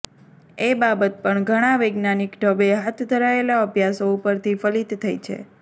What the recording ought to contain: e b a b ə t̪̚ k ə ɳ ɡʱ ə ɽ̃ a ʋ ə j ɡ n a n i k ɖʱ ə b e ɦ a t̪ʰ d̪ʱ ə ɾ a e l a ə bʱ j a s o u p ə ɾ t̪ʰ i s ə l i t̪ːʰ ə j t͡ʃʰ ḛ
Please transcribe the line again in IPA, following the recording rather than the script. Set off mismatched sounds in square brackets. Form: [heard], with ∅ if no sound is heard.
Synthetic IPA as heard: e b a b ə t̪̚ [p] ə ɳ ɡʱ ə ɽ̃ a ʋ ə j ɡ n a n i k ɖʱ ə b e ɦ a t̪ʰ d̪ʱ ə ɾ a e l a ə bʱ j a s o u p ə ɾ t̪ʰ i [f] ə l i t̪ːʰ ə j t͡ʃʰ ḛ